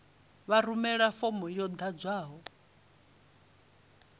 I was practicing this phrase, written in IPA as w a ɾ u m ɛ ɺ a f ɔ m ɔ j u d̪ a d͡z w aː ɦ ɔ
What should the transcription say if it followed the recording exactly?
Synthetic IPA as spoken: β a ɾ u m ɛ ɺ a f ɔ m ɔ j ɔ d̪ a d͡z w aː ɦ ɔ